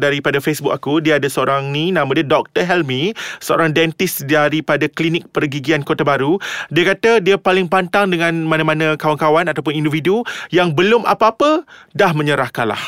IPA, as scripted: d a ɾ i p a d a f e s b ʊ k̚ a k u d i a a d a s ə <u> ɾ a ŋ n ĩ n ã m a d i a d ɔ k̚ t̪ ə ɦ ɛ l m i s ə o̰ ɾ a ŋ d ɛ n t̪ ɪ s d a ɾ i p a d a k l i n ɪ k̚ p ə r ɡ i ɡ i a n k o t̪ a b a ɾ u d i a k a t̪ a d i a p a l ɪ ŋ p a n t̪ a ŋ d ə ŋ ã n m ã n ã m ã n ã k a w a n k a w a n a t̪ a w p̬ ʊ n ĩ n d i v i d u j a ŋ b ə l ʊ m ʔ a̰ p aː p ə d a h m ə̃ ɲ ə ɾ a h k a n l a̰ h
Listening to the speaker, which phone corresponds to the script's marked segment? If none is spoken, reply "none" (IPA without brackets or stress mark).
o